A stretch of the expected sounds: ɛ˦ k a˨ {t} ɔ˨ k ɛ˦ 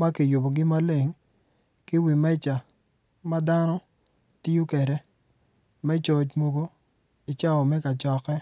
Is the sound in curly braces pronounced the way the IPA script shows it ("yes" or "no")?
no